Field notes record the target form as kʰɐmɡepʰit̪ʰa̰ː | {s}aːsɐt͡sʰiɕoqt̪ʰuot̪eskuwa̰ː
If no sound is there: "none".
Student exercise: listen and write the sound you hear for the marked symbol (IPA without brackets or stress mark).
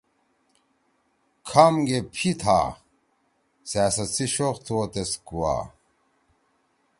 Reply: s